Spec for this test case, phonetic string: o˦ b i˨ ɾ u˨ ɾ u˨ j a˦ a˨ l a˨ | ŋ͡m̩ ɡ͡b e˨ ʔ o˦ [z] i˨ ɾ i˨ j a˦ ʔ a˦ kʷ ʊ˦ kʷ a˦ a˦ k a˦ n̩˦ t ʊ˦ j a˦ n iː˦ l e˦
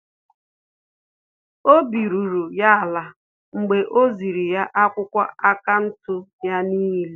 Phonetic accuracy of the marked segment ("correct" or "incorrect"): correct